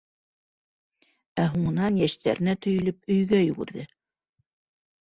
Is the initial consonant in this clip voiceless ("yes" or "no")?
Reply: no